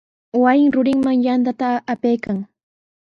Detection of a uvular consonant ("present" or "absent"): absent